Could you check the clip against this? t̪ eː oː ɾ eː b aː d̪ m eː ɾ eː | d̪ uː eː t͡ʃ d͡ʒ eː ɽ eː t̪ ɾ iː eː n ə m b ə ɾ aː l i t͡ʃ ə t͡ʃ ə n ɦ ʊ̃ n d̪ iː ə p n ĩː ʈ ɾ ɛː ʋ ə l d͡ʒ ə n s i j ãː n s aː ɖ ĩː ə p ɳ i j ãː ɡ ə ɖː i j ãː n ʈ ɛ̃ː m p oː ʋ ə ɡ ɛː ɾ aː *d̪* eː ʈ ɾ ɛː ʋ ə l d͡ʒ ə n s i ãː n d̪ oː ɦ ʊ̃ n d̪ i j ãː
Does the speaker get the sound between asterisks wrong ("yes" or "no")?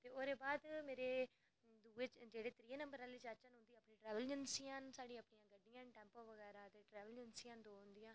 yes